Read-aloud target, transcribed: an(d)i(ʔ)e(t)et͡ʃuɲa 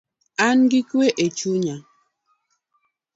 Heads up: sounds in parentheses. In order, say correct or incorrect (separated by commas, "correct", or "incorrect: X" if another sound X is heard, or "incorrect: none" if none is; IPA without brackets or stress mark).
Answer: incorrect: ɡ, incorrect: k, incorrect: ʔ